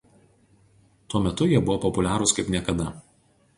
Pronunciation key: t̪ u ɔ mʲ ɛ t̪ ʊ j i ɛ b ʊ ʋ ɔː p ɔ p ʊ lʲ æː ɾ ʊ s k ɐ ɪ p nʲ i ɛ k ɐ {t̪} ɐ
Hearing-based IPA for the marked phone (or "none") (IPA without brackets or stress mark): d̪